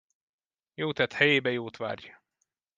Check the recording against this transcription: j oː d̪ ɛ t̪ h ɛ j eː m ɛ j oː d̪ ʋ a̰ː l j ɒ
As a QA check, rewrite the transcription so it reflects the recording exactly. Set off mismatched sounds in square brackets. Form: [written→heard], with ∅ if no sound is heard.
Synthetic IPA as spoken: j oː [d̪→t̪] ɛ t̪ h ɛ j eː [m→b] ɛ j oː [d̪→t̪] ʋ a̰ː [l→r] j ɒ